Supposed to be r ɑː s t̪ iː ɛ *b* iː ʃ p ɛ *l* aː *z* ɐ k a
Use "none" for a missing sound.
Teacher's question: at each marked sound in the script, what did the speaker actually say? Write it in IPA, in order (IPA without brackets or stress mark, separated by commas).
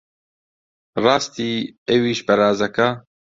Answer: w, ɾ, z